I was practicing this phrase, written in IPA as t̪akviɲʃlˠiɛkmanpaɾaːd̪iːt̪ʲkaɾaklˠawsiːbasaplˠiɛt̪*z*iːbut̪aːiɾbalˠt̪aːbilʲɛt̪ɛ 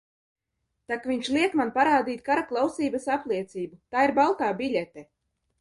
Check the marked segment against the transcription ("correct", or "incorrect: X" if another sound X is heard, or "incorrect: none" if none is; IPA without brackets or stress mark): incorrect: s